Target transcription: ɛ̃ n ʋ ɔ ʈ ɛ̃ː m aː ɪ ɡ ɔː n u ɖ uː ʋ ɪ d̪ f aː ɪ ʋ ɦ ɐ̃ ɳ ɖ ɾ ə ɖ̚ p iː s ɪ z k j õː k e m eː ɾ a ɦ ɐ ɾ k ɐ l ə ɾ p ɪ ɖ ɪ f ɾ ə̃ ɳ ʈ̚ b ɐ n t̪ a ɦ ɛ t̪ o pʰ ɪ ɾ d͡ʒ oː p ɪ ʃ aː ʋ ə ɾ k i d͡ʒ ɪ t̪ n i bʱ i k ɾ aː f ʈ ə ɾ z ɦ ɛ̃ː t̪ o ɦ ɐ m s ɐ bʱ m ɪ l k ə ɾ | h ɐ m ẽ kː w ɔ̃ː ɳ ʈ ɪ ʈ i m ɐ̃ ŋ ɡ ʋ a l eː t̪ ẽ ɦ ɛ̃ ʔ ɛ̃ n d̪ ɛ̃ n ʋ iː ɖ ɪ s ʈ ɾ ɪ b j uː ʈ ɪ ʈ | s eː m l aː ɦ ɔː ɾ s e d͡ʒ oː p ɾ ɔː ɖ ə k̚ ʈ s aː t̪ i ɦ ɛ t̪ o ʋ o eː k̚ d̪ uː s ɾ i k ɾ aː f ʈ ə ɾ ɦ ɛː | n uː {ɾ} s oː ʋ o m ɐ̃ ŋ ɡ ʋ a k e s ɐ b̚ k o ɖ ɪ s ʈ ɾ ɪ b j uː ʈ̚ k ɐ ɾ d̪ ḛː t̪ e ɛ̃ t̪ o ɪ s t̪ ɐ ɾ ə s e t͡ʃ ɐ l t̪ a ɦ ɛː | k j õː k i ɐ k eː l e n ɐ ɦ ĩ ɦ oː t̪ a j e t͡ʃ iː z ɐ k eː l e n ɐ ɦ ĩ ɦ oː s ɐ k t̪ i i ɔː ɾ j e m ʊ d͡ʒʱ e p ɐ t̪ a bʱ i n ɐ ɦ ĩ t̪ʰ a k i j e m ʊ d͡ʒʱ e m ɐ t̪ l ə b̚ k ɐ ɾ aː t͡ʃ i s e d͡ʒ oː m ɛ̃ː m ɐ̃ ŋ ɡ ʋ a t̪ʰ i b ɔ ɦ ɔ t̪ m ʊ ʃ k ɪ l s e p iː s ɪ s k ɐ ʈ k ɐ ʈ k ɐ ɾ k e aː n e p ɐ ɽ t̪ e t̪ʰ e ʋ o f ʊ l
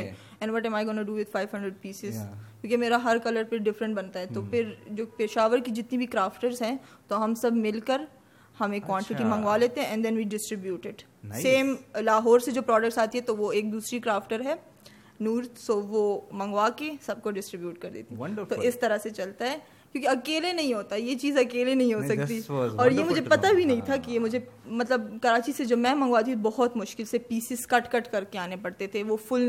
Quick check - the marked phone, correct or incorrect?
correct